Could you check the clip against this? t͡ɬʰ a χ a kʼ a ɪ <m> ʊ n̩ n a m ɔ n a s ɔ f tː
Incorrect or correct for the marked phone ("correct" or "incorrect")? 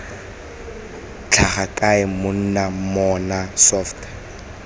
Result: correct